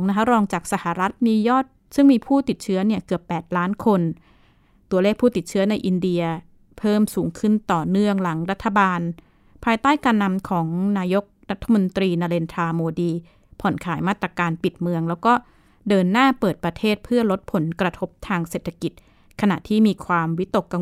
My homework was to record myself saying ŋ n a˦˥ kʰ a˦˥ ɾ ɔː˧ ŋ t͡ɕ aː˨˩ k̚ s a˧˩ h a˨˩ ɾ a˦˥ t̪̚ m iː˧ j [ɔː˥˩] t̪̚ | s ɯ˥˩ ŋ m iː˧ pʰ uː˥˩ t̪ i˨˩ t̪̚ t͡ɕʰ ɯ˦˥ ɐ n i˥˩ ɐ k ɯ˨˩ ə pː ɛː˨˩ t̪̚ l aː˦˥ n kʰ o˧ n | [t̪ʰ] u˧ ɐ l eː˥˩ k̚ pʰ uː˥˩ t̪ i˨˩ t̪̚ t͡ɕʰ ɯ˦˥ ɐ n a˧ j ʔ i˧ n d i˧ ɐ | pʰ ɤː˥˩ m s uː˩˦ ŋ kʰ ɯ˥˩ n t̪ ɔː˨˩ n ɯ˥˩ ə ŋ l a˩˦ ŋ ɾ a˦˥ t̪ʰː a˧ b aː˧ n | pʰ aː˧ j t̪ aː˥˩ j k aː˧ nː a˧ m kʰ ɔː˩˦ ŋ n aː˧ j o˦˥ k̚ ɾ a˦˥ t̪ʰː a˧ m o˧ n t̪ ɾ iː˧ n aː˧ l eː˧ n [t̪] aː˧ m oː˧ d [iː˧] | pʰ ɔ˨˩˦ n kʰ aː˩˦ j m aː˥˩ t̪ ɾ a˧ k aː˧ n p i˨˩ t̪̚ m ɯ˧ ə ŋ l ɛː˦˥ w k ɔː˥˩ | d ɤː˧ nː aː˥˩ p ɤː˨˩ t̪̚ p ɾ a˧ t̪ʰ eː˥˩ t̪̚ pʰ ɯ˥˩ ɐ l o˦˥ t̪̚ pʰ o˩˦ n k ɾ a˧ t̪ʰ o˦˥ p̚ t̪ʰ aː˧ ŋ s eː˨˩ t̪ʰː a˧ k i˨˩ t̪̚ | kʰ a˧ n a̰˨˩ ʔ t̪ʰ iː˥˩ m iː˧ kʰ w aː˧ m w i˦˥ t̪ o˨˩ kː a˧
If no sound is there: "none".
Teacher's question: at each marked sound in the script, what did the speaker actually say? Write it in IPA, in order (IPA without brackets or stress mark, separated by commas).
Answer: ɔː˥˩, t̪, t̪ʰ, iː˧